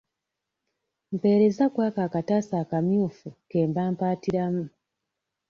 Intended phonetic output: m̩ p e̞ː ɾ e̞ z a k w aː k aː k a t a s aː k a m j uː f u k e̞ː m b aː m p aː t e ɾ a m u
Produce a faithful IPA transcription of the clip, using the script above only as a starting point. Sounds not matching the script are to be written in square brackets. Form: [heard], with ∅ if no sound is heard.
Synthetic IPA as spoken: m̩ p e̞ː ɾ e̞ z a k w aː k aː k a t a s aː k a m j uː f u k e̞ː m b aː m p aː t [i] ɾ a m u